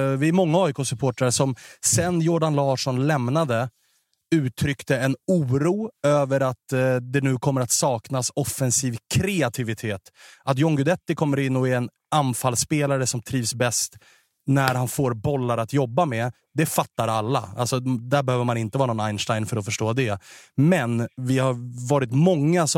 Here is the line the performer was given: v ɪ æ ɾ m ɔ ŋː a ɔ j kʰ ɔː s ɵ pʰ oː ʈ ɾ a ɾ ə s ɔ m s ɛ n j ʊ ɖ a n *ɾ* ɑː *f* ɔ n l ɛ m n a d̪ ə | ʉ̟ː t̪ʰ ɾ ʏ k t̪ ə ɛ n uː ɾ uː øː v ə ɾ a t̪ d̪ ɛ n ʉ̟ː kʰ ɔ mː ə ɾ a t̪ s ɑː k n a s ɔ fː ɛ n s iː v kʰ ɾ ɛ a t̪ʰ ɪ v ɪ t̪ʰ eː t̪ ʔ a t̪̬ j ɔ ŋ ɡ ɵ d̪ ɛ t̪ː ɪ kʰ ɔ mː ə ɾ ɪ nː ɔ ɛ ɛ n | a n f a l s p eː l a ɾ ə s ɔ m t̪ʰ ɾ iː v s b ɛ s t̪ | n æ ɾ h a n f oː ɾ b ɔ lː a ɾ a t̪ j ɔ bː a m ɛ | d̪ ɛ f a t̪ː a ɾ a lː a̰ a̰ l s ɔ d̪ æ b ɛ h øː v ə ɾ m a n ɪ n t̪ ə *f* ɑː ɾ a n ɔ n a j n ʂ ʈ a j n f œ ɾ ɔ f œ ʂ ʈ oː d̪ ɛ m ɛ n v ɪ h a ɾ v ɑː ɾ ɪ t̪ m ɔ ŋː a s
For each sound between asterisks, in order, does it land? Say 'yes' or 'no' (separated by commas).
no, no, no